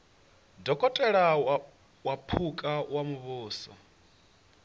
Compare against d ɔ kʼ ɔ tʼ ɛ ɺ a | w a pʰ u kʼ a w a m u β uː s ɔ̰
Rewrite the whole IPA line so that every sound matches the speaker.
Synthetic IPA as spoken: d ɔ kʼ ɔ tʼ ɛ ɺ a | w a pʰ u kʼ a w a m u β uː s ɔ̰